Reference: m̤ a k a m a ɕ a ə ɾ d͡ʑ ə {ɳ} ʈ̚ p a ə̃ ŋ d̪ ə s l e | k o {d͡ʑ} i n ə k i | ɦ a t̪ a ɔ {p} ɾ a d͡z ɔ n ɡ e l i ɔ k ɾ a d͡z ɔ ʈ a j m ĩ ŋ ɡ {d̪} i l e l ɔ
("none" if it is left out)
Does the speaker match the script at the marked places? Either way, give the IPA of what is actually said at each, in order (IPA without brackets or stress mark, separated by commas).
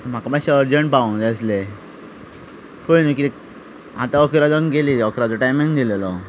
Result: ɳ, none, k, d̪